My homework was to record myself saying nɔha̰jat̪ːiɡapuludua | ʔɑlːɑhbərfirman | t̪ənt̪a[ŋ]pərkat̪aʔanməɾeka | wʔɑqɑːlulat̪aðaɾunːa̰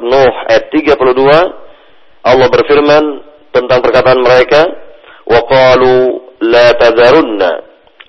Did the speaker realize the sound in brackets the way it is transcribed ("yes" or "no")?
yes